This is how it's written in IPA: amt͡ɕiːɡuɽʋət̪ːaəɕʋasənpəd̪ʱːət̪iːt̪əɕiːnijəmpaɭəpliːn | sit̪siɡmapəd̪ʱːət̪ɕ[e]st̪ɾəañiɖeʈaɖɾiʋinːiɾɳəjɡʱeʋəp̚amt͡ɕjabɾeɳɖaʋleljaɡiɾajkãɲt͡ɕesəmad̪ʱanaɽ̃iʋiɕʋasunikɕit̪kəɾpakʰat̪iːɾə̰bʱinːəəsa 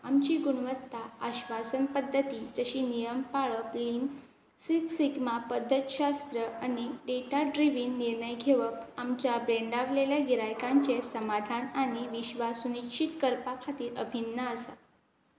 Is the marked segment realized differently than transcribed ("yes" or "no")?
yes